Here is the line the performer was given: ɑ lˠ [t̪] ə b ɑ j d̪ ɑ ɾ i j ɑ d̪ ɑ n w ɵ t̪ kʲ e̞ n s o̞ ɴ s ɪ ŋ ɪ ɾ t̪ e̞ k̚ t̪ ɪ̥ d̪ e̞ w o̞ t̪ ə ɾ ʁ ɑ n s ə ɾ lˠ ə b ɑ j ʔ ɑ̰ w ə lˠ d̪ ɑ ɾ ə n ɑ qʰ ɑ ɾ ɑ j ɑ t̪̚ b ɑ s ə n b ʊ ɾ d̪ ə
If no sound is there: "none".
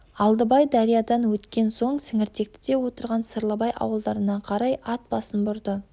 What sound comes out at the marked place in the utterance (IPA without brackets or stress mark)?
d̪